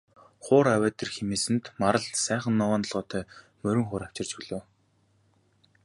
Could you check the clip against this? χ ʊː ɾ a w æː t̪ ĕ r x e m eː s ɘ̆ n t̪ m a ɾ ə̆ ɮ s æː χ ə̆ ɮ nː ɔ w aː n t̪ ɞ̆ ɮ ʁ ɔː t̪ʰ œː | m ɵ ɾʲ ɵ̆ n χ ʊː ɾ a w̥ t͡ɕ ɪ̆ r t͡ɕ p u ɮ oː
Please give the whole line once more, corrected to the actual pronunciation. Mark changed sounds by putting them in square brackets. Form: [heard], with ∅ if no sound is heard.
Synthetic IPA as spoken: χ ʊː ɾ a w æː t̪ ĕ r x e m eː s ɘ̆ n t̪ m a ɾ ə̆ ɮ s æː χ ə̆ [∅] nː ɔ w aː n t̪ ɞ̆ ɮ ʁ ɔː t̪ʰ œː | m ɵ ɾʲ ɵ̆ [ŋ] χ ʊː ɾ a w̥ t͡ɕ ɪ̆ r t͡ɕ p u ɮ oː